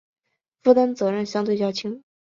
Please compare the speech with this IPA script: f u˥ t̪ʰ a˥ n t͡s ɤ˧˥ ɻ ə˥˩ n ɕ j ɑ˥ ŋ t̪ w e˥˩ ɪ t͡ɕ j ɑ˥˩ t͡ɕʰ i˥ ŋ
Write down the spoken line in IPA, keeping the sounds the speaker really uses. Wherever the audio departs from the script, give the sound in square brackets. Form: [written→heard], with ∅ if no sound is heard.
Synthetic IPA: f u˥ [t̪ʰ→t̪] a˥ n t͡s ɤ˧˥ ɻ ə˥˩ n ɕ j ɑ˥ ŋ t̪ w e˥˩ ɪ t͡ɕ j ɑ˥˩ t͡ɕʰ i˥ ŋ